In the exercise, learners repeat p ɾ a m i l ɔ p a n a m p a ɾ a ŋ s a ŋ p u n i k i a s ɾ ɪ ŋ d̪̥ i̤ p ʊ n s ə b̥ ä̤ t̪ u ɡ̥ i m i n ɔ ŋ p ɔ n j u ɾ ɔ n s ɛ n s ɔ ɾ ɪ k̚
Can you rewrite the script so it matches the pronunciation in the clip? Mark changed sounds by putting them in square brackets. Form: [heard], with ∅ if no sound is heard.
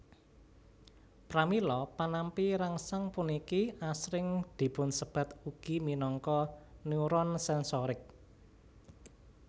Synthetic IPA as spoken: p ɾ a m i l ɔ p a n a m p [i] ɾ a ŋ s a ŋ p u n i k i a s ɾ ɪ ŋ d̪̥ i̤ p ʊ n s ə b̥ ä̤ t̪ u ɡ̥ i m i n ɔ ŋ [k] ɔ n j u ɾ ɔ n s ɛ n s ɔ ɾ ɪ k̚